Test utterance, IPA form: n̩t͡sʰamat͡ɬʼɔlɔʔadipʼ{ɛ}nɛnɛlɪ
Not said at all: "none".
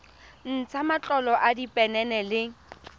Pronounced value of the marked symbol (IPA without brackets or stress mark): ɛ